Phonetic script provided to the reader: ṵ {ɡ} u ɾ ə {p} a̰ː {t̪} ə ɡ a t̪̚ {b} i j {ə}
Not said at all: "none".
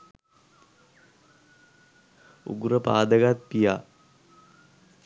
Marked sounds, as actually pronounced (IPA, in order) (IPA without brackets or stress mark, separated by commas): ɡ, p, d̪, p, a